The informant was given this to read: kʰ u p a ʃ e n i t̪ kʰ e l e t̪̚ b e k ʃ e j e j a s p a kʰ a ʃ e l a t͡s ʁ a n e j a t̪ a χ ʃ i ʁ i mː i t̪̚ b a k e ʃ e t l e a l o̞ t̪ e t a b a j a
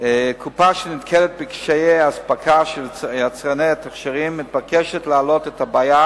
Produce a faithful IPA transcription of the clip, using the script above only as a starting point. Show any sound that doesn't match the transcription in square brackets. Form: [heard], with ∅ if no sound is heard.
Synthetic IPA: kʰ u p a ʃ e n i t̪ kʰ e l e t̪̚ b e k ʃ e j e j a s p a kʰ a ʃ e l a t͡s ʁ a n e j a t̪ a χ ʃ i ʁ i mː i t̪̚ b a k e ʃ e t l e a l o̞ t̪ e t a b a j a